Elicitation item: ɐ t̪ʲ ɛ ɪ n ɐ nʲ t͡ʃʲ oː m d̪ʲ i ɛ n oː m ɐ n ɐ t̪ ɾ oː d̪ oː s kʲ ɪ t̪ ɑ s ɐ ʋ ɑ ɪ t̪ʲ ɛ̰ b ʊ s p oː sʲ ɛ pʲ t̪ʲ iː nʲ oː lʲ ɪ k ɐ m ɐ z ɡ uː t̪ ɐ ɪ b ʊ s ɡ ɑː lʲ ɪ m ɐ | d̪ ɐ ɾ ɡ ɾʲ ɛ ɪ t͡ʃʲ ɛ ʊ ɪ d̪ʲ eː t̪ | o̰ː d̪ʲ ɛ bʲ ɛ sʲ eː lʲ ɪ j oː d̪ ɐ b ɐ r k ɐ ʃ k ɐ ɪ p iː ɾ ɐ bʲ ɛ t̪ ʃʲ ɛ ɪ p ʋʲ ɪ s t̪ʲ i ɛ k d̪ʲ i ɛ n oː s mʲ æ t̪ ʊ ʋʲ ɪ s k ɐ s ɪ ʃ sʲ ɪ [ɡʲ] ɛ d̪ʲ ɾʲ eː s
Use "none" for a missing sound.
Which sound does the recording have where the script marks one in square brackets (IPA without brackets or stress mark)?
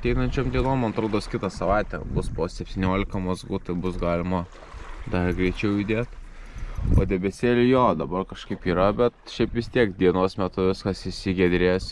ɡʲ